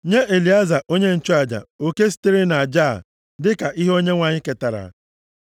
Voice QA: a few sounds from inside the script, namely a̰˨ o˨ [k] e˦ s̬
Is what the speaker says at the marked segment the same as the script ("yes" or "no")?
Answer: yes